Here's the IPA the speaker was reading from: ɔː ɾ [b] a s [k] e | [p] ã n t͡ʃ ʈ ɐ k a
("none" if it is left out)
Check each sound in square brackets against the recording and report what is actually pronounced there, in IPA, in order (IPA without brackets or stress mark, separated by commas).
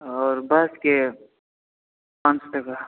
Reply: b, k, p